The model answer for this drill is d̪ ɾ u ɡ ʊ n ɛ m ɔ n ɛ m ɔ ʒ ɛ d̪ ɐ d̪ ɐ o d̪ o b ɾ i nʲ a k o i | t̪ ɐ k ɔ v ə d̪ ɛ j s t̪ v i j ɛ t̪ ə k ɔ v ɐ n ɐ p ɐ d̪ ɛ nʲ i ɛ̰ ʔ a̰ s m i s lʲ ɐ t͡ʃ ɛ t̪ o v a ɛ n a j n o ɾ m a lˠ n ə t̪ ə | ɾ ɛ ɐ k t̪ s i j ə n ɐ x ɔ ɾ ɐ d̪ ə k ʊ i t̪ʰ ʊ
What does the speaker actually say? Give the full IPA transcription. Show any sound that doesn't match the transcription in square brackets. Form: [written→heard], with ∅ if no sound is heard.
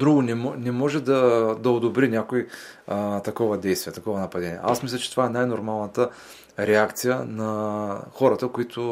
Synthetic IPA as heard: d̪ ɾ u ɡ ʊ n ɛ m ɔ n ɛ m ɔ ʒ ɛ d̪ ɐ d̪ ɐ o d̪ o b ɾ i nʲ a k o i | t̪ ɐ k ɔ v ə d̪ ɛ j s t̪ v i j ɛ t̪ [ə→ɐ] k ɔ v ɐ n ɐ p ɐ d̪ ɛ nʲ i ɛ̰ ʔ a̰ s m i s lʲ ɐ t͡ʃ ɛ t̪ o v a ɛ n a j n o ɾ m a lˠ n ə t̪ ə | ɾ ɛ [ɐ→a] k t̪ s i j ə n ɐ x ɔ ɾ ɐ [d̪→t̪] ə k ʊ i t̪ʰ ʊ